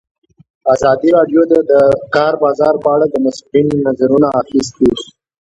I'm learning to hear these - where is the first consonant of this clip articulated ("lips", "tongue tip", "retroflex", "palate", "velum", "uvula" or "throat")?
tongue tip